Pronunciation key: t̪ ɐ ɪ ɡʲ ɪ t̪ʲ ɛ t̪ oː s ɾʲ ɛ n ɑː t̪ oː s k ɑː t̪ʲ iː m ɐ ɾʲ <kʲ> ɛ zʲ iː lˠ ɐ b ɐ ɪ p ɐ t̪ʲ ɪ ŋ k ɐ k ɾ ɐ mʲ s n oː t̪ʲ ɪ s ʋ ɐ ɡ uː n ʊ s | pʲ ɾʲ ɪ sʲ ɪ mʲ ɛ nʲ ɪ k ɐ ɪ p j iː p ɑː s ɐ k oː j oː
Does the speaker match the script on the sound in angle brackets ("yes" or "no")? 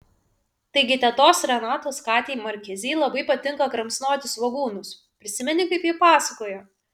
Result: yes